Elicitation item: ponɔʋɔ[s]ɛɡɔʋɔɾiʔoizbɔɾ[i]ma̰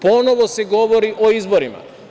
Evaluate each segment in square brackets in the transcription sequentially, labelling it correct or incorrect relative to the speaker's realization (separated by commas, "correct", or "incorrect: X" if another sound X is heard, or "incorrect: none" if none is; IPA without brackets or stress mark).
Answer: correct, correct